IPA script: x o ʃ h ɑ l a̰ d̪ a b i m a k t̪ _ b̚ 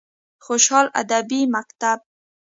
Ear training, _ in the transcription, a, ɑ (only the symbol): a